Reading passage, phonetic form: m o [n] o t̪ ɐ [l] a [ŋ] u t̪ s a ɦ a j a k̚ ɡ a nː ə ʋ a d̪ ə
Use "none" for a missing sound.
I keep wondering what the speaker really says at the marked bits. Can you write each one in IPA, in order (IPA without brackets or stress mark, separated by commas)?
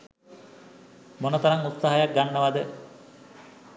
n, ɾ, ŋ